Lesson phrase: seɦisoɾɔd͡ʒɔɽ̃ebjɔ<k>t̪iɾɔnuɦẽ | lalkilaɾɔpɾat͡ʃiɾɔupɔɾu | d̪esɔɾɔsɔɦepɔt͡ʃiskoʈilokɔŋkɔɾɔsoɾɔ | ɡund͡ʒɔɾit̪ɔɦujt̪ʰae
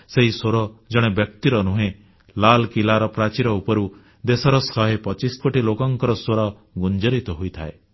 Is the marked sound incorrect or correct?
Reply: correct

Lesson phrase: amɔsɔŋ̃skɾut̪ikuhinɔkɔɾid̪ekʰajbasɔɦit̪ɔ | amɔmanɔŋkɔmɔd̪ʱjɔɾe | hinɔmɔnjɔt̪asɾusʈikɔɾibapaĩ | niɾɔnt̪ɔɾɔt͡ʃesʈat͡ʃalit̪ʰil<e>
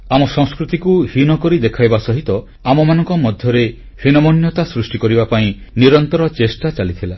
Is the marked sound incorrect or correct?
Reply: incorrect: a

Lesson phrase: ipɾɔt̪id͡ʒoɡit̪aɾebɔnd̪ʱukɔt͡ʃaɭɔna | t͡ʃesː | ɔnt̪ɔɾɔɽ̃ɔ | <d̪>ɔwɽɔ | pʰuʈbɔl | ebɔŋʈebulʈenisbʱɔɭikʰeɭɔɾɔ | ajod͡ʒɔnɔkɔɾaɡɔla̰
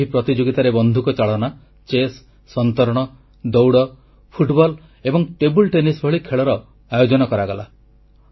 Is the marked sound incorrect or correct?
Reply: correct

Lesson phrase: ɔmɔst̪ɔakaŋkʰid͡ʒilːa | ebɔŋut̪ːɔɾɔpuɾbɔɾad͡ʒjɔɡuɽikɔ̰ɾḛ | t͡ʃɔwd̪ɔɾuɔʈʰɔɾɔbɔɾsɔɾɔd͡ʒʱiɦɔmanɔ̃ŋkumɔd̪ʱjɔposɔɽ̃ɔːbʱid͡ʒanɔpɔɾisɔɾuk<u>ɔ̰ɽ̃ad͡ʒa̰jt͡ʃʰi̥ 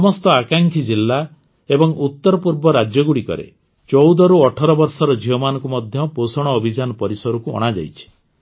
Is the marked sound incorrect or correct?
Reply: correct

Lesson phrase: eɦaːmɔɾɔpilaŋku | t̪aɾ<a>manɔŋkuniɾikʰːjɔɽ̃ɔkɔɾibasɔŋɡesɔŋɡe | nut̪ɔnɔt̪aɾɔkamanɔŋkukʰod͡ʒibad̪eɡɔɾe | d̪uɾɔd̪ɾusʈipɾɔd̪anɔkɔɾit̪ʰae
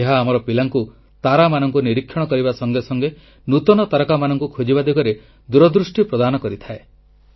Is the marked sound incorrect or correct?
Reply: correct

